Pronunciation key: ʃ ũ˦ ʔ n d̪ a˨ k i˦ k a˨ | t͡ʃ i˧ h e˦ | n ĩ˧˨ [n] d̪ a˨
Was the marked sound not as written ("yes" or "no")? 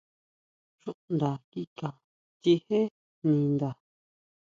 no